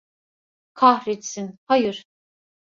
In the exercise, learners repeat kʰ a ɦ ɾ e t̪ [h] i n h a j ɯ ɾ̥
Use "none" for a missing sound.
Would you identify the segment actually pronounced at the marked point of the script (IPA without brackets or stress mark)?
s